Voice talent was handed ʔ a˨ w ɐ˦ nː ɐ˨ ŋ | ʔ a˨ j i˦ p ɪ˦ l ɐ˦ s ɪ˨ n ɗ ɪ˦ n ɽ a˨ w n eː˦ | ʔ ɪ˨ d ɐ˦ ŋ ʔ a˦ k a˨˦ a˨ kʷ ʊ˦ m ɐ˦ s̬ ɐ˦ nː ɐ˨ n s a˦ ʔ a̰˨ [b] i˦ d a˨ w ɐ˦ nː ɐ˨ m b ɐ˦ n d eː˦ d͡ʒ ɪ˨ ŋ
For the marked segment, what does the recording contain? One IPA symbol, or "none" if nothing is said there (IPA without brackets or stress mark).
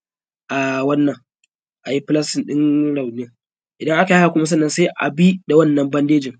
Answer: b